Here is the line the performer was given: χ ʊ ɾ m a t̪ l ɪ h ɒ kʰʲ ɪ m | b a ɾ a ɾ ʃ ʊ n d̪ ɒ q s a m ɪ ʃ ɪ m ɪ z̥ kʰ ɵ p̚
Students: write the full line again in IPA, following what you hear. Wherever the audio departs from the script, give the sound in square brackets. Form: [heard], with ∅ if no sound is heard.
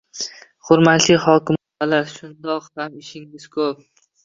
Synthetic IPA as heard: χ ʊ ɾ m a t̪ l ɪ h ɒ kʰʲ ɪ m | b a [l] a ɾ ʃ ʊ n d̪ ɒ q [h] a m ɪ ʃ ɪ [ŋ] ɪ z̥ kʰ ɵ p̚